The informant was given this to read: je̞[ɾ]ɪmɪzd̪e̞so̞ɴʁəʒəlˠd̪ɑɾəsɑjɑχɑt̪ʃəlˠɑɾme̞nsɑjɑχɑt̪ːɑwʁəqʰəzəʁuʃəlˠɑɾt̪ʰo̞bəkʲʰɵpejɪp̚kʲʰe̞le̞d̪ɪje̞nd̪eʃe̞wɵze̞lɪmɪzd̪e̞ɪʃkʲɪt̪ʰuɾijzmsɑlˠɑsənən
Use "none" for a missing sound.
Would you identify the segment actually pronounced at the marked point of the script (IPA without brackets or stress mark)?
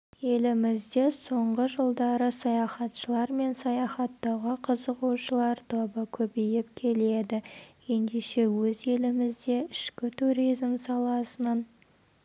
l